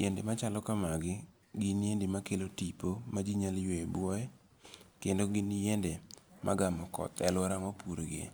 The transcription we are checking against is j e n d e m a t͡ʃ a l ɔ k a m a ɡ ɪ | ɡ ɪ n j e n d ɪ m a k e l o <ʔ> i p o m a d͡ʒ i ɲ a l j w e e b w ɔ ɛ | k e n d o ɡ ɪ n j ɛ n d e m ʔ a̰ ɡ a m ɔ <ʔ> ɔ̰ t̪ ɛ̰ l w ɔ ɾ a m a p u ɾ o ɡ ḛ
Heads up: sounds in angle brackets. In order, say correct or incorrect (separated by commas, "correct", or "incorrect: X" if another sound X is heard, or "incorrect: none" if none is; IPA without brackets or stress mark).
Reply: incorrect: t, incorrect: k